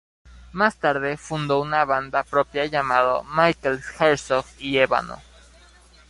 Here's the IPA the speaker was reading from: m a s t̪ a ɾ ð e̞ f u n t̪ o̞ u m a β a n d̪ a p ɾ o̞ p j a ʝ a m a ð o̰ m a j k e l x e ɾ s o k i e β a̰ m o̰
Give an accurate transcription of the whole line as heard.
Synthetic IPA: m a s t̪ a ɾ ð e̞ f u n d̪ o̞ u n a β a n d̪ a p ɾ o̞ p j a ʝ a m a ð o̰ m a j k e l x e ɾ s o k i e β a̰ n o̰